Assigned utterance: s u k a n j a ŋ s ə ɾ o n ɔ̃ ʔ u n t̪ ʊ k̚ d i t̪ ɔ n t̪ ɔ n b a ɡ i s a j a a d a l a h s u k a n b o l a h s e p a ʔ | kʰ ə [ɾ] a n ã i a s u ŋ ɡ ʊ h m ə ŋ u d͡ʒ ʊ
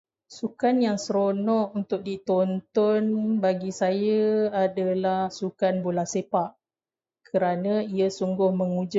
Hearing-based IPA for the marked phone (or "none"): ɾ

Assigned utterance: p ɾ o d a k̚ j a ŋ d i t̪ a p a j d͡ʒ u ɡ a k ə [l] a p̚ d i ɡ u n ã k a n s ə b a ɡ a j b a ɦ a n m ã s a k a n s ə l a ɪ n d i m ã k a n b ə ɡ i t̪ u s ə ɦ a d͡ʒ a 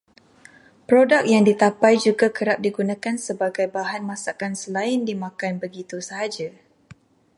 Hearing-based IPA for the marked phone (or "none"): ɾ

